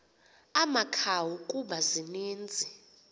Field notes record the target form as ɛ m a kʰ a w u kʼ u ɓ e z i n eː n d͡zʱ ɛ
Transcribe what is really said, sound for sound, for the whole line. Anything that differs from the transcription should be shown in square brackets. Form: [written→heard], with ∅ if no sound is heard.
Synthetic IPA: [ɛ→a] m a kʰ a w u kʼ u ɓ [e→a] z i n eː n d͡zʱ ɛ